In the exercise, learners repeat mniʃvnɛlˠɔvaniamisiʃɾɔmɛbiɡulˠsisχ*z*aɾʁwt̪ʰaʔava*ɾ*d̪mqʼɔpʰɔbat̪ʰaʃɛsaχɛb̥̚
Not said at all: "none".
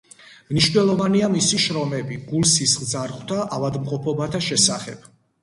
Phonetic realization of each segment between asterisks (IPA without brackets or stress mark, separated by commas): z, none